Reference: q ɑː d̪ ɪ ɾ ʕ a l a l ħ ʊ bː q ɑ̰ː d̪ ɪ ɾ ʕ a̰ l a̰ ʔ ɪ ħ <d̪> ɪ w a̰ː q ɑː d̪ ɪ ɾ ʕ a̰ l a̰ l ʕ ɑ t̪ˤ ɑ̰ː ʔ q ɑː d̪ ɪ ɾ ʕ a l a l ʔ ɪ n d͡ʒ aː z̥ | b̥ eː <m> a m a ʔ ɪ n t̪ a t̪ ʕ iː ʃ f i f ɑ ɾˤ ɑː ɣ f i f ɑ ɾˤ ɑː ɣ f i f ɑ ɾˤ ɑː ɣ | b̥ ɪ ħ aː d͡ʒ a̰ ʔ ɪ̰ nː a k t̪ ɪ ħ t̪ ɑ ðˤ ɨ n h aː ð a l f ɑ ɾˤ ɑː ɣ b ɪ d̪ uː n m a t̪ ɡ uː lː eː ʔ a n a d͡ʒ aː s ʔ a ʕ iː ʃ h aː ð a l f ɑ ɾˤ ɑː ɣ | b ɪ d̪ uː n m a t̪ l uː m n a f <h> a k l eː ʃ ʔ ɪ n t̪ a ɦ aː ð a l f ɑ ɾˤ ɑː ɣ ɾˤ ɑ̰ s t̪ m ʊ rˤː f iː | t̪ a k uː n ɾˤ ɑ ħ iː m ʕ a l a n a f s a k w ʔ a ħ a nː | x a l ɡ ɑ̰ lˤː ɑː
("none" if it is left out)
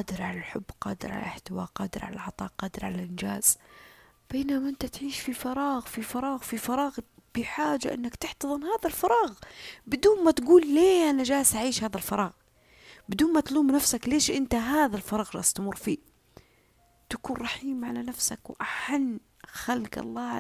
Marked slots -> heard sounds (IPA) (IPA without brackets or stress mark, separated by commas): t̪, n, s